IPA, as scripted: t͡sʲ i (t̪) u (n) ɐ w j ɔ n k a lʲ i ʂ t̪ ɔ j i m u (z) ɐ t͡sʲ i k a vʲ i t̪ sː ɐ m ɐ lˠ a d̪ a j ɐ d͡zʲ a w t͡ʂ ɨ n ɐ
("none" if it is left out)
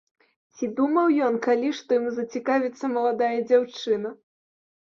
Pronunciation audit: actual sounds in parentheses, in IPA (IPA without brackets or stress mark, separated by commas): d̪, m, z